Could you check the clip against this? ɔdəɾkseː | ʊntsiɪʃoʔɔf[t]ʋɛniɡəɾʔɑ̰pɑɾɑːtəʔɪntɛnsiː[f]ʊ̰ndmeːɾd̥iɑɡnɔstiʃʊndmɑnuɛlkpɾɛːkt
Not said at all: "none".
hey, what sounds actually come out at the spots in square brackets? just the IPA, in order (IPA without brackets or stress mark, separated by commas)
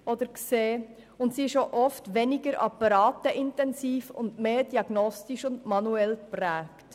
t, f